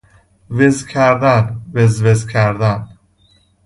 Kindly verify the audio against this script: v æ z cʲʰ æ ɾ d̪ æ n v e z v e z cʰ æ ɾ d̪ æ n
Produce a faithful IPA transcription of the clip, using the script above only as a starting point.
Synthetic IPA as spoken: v e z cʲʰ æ ɾ d̪ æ n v e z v e z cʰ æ ɾ d̪ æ n

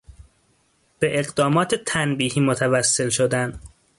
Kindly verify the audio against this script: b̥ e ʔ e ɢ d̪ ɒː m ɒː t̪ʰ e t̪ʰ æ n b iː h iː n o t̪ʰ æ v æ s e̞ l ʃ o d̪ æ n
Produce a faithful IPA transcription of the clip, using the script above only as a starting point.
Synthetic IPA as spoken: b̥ e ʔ e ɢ d̪ ɒː m ɒː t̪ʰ e t̪ʰ æ n b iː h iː m o t̪ʰ æ v æ sː e̞ l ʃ o d̪ æ n

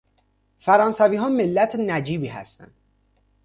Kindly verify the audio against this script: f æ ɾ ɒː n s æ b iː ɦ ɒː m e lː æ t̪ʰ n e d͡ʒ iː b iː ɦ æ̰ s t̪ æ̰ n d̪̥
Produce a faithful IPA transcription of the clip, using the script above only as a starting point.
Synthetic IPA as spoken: f æ ɾ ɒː n s æ v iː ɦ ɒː m e lː æ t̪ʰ n æ d͡ʒ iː b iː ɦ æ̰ s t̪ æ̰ n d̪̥

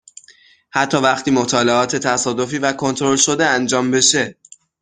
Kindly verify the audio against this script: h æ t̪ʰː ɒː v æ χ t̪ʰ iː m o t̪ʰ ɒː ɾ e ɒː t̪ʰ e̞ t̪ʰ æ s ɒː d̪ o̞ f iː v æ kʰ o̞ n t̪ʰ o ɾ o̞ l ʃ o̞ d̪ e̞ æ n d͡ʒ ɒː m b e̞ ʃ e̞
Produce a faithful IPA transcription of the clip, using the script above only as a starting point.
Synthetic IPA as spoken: h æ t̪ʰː ɒː v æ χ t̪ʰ iː m o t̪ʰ ɒː l e ɒː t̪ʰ e̞ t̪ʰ æ s ɒː d̪ o̞ f iː v æ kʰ o̞ n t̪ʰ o ɾ o̞ l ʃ o̞ d̪ e̞ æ n d͡ʒ ɒː m b e̞ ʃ e̞

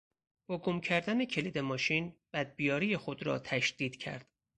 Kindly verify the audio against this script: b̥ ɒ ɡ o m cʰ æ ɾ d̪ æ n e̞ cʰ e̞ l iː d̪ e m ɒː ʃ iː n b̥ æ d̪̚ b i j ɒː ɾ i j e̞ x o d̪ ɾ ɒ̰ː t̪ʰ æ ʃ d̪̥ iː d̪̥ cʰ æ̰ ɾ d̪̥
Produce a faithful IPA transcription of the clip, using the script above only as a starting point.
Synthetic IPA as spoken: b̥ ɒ ɡ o m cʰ æ ɾ d̪ æ n e̞ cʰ e̞ l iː d̪ e m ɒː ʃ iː n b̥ æ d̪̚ b i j ɒː ɾ i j e̞ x o d̪ ɾ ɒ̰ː t̪ʰ æ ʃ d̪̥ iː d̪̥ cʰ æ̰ ɾ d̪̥

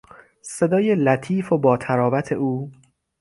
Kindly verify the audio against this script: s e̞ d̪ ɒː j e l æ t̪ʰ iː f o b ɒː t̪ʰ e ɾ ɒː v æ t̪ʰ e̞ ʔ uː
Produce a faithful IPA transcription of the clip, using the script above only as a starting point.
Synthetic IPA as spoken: s e̞ d̪ ɒː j e l æ t̪ʰ iː f o b ɒː t̪ʰ æ ɾ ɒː v æ t̪ʰ e̞ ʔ uː

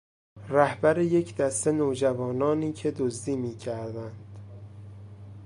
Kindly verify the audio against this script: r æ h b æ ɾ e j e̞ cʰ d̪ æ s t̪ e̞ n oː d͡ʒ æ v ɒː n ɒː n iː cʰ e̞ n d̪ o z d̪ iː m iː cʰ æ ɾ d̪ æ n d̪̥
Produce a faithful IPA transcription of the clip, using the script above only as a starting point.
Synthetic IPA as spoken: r æ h b æ ɾ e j e̞ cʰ d̪ æ s t̪ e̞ n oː d͡ʒ æ v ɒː n ɒː n iː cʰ e̞ d̪ o z d̪ iː m iː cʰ æ ɾ d̪ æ n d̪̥

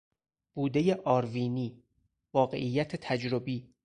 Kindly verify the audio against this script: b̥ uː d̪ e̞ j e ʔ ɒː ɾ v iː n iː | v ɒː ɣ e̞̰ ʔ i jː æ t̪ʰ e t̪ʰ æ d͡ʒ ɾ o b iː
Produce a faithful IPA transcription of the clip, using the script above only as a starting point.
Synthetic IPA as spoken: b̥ uː d̪ e̞ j e ʔ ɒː ɾ v iː n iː | v ɒː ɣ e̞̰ ʔ i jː æ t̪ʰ e t̪ʰ æ d͡ʒ ɾ o b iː

